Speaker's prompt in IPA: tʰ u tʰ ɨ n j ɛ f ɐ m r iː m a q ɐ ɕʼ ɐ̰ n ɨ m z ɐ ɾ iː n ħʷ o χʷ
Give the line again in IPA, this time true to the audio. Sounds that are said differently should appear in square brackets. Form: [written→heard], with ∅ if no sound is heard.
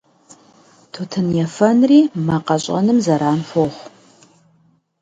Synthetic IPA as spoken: tʰ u tʰ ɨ n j ɛ f ɐ [m→n] r iː m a q ɐ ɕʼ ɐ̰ n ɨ m z ɐ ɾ [iː→aː] n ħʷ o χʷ

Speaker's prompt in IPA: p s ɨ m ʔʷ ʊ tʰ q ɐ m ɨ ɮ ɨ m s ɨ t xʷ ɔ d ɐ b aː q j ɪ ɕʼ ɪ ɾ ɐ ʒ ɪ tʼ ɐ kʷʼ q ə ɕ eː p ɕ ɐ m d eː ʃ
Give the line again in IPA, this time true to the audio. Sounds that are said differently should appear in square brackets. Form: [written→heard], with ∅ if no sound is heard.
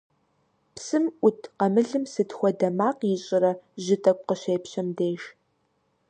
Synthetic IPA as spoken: p s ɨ m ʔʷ ʊ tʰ q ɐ m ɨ ɮ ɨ m s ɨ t xʷ ɔ d ɐ [b→m] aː q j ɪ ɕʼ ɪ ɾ ɐ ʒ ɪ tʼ ɐ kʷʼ q ə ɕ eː p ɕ ɐ m d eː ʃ

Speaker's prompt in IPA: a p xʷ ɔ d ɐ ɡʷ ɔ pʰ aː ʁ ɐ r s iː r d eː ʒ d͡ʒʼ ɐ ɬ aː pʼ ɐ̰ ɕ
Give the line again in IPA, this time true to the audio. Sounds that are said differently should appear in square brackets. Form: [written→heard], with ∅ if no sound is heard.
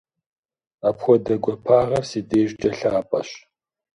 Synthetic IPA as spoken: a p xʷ ɔ d ɐ ɡʷ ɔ pʰ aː ʁ ɐ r s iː [r→∅] d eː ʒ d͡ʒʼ ɐ ɬ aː pʼ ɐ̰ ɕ

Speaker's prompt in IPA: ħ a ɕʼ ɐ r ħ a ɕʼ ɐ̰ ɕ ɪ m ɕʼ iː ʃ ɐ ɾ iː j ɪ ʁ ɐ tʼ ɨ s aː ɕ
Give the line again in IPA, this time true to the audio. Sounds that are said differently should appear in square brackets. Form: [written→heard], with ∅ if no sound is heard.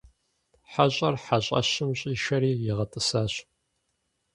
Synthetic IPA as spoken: ħ a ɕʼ ɐ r ħ a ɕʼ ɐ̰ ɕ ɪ m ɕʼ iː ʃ ɐ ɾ iː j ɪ ʁ ɐ tʼ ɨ s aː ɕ

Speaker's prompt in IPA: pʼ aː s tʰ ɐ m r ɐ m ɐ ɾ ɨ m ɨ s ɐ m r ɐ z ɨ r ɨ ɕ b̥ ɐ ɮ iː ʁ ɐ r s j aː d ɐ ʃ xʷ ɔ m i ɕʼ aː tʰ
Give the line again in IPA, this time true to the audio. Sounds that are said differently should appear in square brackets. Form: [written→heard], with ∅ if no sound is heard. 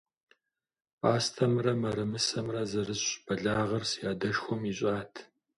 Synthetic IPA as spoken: pʼ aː s tʰ ɐ m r ɐ m ɐ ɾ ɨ m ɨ s ɐ m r ɐ z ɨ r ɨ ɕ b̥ ɐ ɮ [iː→aː] ʁ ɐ r s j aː d ɐ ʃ xʷ ɔ m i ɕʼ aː tʰ

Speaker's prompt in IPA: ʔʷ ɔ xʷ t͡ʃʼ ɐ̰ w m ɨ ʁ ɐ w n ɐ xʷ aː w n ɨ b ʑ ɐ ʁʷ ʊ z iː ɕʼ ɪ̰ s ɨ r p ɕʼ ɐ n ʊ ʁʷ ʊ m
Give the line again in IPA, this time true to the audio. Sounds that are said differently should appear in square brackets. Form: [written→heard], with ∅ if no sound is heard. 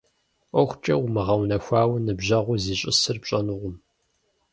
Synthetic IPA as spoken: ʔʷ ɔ xʷ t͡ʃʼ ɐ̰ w m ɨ ʁ ɐ w n ɐ xʷ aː w n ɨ b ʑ ɐ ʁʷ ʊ z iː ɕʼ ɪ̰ s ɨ r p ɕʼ ɐ n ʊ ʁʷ ʊ m

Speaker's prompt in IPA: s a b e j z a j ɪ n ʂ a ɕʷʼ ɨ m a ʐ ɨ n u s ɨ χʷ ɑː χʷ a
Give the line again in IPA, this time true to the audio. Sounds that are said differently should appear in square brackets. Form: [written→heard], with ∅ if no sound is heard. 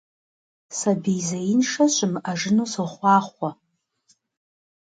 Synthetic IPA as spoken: s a b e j z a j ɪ n ʂ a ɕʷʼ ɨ m a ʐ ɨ n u s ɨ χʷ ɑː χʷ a

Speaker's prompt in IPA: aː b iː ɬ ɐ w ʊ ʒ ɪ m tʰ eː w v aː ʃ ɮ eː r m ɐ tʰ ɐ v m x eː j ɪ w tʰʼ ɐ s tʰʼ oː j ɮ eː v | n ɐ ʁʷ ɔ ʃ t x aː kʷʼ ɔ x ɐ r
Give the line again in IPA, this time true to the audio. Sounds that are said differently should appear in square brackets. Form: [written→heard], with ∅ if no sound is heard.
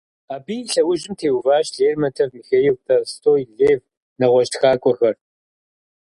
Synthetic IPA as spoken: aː b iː ɬ ɐ w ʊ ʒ ɪ m tʰ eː w v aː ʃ ɮ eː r m ɐ tʰ ɐ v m x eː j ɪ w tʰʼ ɐ s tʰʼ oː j ɮ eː v | n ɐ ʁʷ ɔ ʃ t x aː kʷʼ ɔ x ɐ r

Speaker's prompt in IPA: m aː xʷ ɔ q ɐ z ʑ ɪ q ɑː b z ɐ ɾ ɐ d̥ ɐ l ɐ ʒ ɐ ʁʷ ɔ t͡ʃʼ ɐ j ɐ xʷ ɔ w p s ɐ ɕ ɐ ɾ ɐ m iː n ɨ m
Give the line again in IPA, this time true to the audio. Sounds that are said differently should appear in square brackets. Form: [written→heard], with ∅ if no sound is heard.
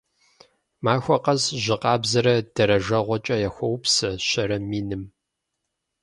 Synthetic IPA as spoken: m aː xʷ ɔ q ɐ z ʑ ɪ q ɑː b z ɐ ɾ ɐ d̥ ɐ [l→ɾ] ɐ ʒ ɐ ʁʷ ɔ t͡ʃʼ ɐ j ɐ xʷ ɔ w p s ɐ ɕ ɐ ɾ ɐ m iː n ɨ m

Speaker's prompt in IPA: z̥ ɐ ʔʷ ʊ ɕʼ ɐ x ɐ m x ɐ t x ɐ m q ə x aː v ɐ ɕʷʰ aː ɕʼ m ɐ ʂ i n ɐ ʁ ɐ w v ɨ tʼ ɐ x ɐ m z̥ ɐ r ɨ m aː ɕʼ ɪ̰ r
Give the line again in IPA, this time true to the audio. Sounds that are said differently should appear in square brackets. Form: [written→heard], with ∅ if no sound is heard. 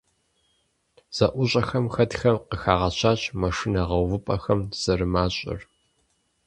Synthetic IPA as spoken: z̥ ɐ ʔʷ ʊ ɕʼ ɐ x ɐ m x ɐ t x ɐ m q ə x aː [v→ʁ] ɐ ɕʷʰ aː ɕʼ m ɐ ʂ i n ɐ ʁ ɐ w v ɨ [tʼ→pʼ] ɐ x ɐ m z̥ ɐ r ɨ m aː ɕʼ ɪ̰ r

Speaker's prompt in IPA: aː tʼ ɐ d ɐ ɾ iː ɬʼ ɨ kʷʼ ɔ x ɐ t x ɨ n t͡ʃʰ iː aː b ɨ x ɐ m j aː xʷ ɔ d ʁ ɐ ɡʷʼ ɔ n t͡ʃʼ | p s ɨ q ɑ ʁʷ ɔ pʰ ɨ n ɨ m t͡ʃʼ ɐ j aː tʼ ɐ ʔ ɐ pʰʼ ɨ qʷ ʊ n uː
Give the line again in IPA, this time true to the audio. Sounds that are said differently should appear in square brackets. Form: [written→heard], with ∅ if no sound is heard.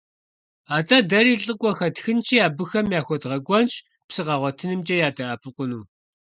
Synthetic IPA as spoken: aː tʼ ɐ d ɐ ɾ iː ɬʼ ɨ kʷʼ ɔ x ɐ t x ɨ n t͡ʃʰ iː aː b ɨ x ɐ m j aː xʷ ɔ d ʁ ɐ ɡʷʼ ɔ n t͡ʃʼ | p s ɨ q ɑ ʁʷ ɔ [pʰ→tʰ] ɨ n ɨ m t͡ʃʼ ɐ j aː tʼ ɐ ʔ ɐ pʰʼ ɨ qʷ ʊ n uː

